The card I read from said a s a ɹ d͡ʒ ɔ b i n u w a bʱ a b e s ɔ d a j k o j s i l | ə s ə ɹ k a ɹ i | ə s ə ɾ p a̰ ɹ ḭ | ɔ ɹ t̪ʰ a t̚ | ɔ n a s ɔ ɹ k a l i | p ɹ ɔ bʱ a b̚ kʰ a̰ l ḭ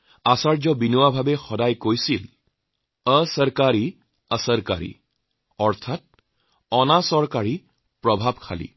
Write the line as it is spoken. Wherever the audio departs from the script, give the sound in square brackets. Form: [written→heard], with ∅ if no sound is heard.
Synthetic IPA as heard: a s a ɹ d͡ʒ ɔ b i n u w a bʱ a b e [s→x] ɔ d a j k o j s i l | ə s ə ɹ k a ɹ i | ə s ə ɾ [p→k] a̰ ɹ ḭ | ɔ ɹ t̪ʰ a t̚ | ɔ n a s ɔ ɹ k a [l→ɹ] i | p ɹ ɔ bʱ a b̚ kʰ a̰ l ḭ